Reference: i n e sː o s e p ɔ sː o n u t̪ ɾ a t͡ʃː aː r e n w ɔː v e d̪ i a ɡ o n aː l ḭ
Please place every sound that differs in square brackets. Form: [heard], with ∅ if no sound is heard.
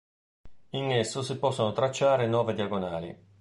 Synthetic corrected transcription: i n e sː o s [i] p ɔ sː o n [o] t̪ ɾ a t͡ʃː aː [ɾ] e n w ɔː v e d̪ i a ɡ o n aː l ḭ

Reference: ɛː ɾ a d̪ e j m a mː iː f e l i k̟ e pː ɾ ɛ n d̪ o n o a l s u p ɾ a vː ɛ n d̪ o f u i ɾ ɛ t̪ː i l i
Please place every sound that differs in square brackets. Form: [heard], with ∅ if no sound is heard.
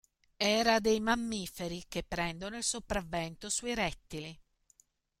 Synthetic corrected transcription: ɛː ɾ a d̪ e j m a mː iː f e [ɾ] i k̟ e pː ɾ ɛ n d̪ o n o [i] l s [o] p ɾ a vː ɛ n [t̪] o [s] u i ɾ ɛ t̪ː i l i

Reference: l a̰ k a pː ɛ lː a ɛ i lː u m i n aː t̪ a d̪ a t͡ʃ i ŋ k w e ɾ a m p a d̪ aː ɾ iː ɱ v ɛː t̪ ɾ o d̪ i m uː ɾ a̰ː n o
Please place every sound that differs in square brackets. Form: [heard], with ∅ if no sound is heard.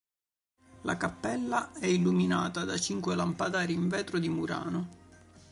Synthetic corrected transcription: l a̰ k a pː ɛ lː a ɛ i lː u m i n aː t̪ a d̪ a t͡ʃ i ŋ k w e [l] a m p a d̪ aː ɾ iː ɱ v ɛː t̪ ɾ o d̪ i m [u] ɾ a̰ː n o

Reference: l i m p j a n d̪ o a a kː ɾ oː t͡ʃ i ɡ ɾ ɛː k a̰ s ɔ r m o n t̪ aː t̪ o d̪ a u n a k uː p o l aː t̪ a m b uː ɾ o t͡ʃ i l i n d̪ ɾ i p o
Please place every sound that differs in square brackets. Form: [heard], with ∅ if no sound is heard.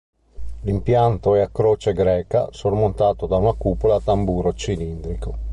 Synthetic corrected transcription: l i m p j a n [t̪] o [ɛ] a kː ɾ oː t͡ʃ [e] ɡ ɾ ɛː k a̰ s [o] r m o n t̪ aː t̪ o d̪ a u n a k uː p o l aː t̪ a m b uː ɾ o t͡ʃ i l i n d̪ ɾ i [k] o

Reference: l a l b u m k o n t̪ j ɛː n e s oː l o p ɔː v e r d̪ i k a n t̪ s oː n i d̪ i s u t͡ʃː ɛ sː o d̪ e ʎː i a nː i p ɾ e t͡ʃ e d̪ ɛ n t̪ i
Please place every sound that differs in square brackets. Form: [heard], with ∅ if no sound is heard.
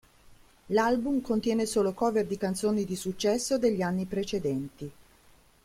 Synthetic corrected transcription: l a l b u m k o n t̪ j ɛː n e s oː l o [k] ɔː v e r d̪ i k a n t̪ s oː n i d̪ i s u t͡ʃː ɛ sː o d̪ e ʎː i a nː i p ɾ e t͡ʃ e d̪ ɛ n t̪ i

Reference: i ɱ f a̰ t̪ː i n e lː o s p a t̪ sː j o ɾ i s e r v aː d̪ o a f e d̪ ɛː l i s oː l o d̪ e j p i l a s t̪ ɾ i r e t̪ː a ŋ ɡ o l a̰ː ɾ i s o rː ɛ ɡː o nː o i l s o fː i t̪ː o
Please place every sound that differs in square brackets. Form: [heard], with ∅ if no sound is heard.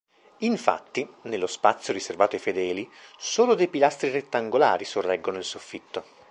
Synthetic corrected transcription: i ɱ f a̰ t̪ː i n e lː o s p a t̪ sː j o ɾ i s e r v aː [t̪] o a f e d̪ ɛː l i s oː l o d̪ e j p i l a s t̪ ɾ i r e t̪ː a ŋ ɡ o l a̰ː ɾ i s o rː ɛ ɡː o [n] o i l s o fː i t̪ː o

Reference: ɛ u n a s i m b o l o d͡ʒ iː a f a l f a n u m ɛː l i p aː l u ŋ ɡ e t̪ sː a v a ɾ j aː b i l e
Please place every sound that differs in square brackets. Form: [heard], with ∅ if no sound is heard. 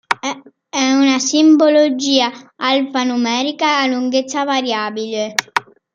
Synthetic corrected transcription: ɛ u n a s i m b o l o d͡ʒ iː a [∅] a l f a n u m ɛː [ɾ] i [k] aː l u ŋ ɡ e t̪ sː a v a ɾ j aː b i l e

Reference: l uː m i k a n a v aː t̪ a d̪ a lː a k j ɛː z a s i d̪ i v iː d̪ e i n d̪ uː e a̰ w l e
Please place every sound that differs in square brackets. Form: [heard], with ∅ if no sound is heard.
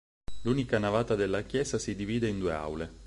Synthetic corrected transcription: l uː [n] i k a n a v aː t̪ a d̪ [e] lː a k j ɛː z a s i d̪ i v iː d̪ e i n d̪ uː e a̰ w l e

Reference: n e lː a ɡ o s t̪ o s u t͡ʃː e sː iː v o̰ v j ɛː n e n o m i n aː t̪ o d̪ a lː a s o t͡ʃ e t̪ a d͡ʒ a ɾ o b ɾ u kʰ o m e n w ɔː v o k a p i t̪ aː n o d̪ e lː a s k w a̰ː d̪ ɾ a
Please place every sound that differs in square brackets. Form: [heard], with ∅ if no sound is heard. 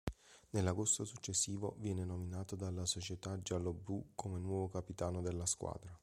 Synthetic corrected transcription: n e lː a ɡ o s t̪ o s u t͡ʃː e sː iː v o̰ v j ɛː n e n o m i n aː t̪ o d̪ a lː a s o t͡ʃ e t̪ a d͡ʒ a [l] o b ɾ u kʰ o m e n w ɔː v o k a p i t̪ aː n o d̪ e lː a s k w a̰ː d̪ ɾ a

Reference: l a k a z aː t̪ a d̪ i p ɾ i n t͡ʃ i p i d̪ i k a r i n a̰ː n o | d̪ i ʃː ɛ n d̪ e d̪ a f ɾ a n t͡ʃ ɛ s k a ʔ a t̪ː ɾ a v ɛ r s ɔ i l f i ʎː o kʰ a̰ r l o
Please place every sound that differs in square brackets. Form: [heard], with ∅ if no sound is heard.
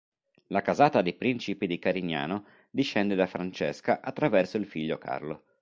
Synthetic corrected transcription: l a k a z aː t̪ a d̪ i p ɾ i n t͡ʃ i p i d̪ i k a [ɾ] i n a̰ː n o | d̪ i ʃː ɛ n d̪ e d̪ a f ɾ a n t͡ʃ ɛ s k a ʔ a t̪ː ɾ a v ɛ r s [o] i l f i ʎː o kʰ a̰ r l o

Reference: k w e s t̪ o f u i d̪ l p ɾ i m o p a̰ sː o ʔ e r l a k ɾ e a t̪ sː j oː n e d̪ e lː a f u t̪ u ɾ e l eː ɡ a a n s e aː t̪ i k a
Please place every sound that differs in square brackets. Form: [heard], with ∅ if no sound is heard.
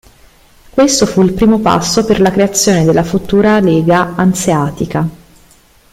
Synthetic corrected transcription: k w e s t̪ o f u i [∅] l p ɾ [iː] m o p a̰ sː o [p] e r l a k ɾ e a t̪ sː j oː n e d̪ e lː a f u t̪ [uː] ɾ [a] l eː ɡ a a n s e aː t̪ i k a

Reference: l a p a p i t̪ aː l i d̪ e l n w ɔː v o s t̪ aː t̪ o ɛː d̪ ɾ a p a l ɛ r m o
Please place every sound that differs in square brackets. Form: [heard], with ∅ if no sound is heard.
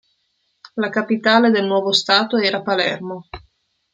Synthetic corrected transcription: l a [k] a p i t̪ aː l [e] d̪ e l n w ɔː v o s t̪ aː t̪ o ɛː [∅] ɾ a p a l ɛ r m o

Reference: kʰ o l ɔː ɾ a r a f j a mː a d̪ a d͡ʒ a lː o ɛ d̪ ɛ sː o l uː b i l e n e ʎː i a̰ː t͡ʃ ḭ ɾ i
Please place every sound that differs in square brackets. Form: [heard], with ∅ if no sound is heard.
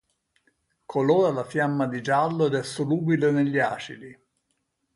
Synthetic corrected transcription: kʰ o l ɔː ɾ a [l] a f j a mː a d̪ [i] d͡ʒ a lː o ɛ d̪ ɛ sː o l uː b i l e n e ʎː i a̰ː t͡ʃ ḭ [l] i

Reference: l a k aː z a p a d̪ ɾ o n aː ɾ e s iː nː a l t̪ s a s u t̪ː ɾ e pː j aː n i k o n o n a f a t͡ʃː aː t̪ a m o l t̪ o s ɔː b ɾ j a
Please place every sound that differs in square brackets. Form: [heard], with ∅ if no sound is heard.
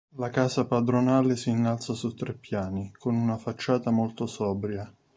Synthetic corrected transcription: l a k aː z a p a d̪ ɾ o n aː [l] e s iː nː a l t̪ s a s u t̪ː ɾ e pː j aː n i k o n [u] n a f a t͡ʃː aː t̪ a m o l t̪ o s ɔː b ɾ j a

